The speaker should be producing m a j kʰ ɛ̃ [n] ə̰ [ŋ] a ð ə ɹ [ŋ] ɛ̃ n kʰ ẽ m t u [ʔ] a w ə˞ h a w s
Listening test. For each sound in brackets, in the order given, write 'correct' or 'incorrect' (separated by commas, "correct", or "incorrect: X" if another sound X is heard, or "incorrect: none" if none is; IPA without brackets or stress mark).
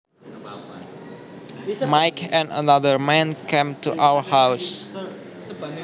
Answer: correct, incorrect: n, incorrect: m, correct